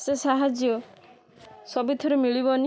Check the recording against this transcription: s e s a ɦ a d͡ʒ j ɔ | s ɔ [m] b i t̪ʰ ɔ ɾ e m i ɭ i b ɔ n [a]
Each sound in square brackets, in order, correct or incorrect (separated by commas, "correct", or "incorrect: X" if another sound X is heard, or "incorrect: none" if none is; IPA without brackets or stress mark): incorrect: none, incorrect: i